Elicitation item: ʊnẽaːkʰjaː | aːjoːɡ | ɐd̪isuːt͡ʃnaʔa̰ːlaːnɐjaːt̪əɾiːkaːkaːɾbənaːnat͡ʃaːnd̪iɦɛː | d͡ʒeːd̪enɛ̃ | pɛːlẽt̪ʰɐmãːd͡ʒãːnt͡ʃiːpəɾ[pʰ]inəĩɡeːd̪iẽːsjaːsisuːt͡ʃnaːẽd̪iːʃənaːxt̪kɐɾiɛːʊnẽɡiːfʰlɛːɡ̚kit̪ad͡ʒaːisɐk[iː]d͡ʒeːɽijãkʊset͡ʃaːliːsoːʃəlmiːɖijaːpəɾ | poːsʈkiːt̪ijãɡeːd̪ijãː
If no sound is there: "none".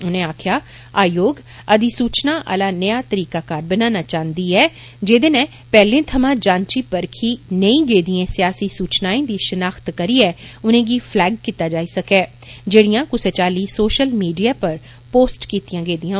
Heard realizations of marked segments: kʰ, ɛː

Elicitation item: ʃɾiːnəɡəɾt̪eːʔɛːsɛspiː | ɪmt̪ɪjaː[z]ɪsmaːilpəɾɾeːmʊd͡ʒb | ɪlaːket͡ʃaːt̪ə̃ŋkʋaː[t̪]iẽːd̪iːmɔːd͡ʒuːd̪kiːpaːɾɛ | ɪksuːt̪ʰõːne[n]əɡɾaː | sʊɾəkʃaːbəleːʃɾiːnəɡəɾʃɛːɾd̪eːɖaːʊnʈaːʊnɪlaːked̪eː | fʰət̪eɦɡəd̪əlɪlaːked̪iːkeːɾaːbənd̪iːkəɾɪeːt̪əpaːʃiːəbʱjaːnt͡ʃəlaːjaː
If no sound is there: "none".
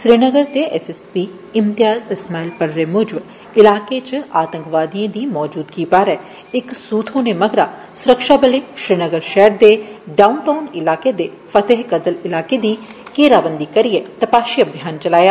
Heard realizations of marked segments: z, d̪, m

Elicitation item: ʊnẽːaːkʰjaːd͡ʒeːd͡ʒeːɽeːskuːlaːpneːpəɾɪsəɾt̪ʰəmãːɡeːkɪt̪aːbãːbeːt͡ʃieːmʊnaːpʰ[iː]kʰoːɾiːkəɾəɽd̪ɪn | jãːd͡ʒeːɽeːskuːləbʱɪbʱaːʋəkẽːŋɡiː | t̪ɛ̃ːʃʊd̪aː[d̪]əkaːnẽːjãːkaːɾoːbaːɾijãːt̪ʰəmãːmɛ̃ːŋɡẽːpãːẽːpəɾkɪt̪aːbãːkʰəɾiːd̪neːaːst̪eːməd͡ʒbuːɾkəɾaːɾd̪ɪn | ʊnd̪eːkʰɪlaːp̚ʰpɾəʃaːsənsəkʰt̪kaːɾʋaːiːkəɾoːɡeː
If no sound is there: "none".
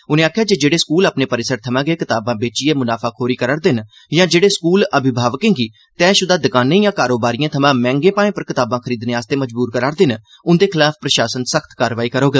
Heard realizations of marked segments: aː, d̪

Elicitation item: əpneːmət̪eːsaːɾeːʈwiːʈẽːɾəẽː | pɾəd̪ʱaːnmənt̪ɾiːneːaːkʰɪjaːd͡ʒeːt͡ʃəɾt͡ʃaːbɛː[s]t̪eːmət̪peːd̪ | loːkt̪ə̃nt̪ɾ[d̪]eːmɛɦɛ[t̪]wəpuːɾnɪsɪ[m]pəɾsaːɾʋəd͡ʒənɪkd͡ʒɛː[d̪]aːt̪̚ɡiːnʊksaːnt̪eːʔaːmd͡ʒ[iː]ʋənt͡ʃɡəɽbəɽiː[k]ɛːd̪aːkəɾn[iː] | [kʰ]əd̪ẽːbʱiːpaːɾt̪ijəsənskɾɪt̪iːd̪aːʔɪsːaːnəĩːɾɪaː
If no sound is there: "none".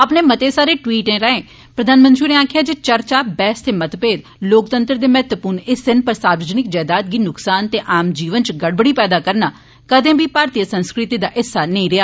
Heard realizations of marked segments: s, d̪, t̪, n, d̪, iː, p, aː, k

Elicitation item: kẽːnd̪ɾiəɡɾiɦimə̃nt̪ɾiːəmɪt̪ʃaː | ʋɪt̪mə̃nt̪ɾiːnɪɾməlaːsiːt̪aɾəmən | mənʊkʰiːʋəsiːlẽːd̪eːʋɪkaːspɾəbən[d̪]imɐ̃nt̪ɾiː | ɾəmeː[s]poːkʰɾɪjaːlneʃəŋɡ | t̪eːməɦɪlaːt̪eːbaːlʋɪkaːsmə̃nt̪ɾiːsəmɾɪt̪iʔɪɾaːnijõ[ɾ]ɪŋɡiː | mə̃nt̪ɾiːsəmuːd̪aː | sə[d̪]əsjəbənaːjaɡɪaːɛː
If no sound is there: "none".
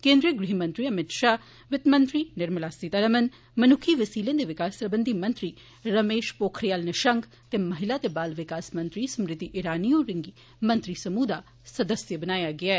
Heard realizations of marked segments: d̪, ʃ, ɾ, d̪

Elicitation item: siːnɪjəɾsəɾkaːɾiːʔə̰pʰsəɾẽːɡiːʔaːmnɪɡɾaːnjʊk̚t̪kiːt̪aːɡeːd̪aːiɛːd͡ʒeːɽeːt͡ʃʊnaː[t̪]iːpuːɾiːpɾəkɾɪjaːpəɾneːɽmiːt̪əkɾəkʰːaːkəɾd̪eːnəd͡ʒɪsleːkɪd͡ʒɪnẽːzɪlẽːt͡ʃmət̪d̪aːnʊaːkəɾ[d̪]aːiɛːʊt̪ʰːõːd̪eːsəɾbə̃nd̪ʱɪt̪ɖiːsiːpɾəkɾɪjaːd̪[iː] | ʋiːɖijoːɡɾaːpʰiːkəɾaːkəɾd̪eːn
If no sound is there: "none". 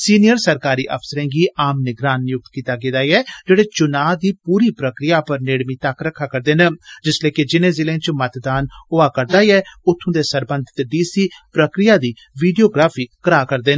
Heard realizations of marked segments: d̪, d̪, iː

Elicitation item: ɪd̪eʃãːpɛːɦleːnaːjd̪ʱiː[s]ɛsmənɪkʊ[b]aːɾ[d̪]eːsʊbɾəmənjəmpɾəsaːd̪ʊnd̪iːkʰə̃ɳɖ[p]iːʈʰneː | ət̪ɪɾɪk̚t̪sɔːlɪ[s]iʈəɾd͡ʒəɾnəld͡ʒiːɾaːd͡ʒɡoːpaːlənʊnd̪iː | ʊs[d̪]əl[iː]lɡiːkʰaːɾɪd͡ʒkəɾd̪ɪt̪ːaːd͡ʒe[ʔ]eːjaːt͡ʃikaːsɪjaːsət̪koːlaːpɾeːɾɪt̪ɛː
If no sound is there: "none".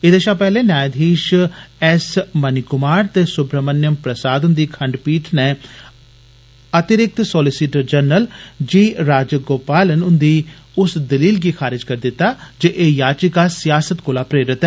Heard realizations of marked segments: ʃ, m, t̪, p, s, d̪, iː, ʔ

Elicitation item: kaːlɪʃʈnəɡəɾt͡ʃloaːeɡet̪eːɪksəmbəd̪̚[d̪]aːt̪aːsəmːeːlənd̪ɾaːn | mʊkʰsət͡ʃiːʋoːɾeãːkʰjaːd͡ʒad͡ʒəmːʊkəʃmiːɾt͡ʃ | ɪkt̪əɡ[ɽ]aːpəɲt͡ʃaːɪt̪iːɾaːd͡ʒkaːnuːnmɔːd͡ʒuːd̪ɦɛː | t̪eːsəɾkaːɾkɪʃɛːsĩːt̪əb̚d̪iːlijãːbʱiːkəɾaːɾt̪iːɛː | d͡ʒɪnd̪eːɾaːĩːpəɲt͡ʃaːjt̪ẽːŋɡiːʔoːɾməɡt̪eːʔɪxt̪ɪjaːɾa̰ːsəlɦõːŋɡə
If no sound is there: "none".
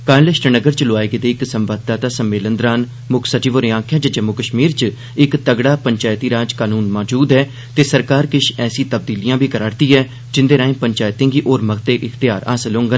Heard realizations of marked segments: t̪, ɽ

